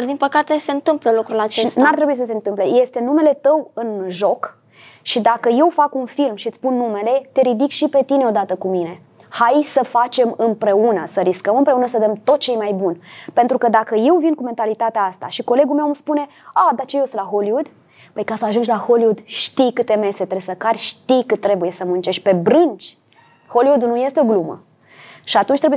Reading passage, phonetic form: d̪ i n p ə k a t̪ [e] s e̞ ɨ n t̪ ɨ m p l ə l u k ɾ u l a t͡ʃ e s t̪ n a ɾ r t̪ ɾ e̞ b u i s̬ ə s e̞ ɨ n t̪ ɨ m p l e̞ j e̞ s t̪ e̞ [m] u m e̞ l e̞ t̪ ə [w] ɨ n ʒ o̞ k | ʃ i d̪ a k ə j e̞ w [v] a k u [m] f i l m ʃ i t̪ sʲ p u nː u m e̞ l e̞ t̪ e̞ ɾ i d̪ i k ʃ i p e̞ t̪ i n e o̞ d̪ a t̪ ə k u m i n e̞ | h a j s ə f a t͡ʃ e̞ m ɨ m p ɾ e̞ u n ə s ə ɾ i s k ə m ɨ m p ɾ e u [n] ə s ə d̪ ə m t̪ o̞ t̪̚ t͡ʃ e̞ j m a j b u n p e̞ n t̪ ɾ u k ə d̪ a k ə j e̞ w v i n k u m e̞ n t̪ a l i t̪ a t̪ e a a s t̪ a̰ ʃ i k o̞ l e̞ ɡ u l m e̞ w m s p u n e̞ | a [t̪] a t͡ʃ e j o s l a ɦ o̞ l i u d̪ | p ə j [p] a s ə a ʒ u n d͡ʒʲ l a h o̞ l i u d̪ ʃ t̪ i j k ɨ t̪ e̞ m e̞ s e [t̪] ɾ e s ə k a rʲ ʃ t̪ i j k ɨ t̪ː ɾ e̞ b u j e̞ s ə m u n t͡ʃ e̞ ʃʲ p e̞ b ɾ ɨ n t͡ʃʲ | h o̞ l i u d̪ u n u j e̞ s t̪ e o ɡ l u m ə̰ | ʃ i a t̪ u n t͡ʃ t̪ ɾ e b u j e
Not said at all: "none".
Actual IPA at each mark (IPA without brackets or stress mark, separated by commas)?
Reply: e, n, w, f, n, n, d̪, k, t̪